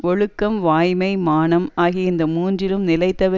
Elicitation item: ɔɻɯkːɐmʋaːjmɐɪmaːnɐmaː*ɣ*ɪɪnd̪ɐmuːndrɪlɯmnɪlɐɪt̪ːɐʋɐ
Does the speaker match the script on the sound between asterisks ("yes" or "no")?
yes